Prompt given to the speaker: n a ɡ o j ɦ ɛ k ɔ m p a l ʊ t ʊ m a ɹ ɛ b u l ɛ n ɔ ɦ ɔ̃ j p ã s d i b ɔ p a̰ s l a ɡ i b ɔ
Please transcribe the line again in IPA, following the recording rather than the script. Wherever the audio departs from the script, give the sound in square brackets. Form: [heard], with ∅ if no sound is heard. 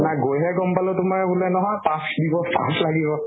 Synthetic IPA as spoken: n a ɡ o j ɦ ɛ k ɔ m p a l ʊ t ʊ m a ɹ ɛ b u l ɛ n ɔ ɦ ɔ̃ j p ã s d i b ɔ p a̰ s l a ɡ i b ɔ